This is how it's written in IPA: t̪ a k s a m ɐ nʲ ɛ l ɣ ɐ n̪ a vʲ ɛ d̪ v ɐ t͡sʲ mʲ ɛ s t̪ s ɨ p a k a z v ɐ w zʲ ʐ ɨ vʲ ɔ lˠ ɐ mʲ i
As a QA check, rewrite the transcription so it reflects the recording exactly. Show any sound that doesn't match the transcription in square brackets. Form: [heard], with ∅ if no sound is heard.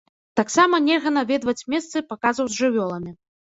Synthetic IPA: t̪ a k s a m ɐ nʲ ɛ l ɣ ɐ n̪ a vʲ ɛ d̪ v ɐ t͡sʲ mʲ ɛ s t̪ s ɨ p a k a z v ɐ w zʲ ʐ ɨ vʲ ɔ lˠ ɐ mʲ i